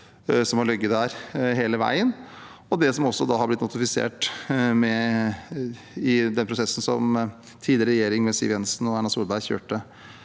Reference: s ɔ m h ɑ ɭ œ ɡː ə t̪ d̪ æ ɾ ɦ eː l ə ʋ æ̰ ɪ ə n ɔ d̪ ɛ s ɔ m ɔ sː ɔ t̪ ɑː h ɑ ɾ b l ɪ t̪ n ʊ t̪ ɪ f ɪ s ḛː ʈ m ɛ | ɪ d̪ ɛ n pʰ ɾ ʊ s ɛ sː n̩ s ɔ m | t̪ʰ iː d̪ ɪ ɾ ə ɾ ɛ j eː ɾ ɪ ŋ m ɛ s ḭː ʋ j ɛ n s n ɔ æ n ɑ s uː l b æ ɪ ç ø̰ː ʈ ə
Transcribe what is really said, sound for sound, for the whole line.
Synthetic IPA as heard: s ɔ m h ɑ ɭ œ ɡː ə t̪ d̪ æ ɾ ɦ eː l ə ʋ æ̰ ɪ ə n ɔ d̪ ɛ s ɔ m ɔ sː ɔ d̪ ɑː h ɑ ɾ b l ɪ t̪ n ʊ t̪ ɪ f ɪ s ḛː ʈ m ɛ | ɪ d̪ ɛ n pʰ ɾ ʊ s ɛ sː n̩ s ɔ m | t̪ʰ iː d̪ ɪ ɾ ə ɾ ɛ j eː ɾ ɪ ŋ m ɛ s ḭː ʋ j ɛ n s n ɔ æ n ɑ s uː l b æ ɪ ç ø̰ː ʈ ə